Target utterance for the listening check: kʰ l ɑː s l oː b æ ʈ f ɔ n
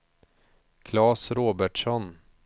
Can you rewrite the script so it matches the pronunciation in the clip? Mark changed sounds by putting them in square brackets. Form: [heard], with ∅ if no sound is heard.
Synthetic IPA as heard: kʰ l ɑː s [ɾ] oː b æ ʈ [ʂ] ɔ n